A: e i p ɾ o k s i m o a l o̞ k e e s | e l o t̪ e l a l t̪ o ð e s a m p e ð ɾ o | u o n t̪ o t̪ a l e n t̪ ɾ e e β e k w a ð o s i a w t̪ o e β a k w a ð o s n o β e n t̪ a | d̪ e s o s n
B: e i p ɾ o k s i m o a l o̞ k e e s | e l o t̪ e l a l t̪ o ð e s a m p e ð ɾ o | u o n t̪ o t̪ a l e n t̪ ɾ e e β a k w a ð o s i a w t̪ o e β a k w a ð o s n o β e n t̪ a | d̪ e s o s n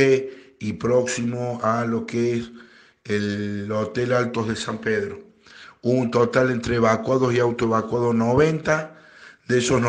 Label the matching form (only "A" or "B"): B